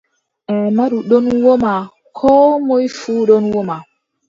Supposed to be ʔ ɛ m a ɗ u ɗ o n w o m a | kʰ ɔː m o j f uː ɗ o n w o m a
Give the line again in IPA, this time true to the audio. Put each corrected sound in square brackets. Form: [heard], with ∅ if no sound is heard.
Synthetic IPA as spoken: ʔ ɛ m a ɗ u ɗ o n w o m a | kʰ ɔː m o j f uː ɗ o n w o m a